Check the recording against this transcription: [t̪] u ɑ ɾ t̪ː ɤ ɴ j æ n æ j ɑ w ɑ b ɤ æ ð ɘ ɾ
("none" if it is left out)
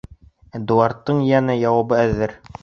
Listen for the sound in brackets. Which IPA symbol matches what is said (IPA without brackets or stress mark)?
d̪